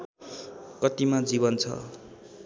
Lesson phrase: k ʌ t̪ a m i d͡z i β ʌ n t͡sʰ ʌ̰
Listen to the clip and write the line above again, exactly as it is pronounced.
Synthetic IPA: k ʌ t̪ i m a d͡z i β ʌ n t͡sʰ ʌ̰